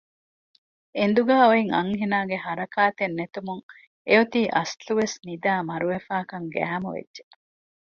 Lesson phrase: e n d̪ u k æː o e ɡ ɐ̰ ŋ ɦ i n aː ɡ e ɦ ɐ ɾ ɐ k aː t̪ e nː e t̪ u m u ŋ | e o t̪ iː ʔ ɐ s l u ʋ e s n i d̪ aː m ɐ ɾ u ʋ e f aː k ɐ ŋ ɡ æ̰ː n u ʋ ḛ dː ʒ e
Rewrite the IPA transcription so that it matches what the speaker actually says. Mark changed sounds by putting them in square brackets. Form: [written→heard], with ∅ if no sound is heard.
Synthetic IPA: e n d̪ u [k→ɡ] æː o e [ɡ→ŋ] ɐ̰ ŋ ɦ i n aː ɡ e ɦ ɐ ɾ ɐ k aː t̪ e nː e t̪ u m u ŋ | e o t̪ iː ʔ ɐ s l u ʋ e s n i d̪ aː m ɐ ɾ u ʋ e f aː k ɐ ŋ ɡ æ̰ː [n→m] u ʋ ḛ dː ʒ e